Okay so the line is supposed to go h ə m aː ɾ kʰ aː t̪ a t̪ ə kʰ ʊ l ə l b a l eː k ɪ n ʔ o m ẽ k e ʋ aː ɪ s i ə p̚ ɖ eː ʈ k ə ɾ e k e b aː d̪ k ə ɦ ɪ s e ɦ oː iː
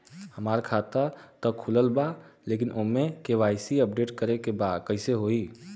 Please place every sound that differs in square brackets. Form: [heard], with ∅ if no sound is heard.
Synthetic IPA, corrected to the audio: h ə m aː ɾ kʰ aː t̪ a t̪ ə kʰ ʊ l ə l b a l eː k ɪ n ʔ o m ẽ k e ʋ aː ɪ s i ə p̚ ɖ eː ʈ k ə ɾ e k e b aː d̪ k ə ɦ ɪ s e ɦ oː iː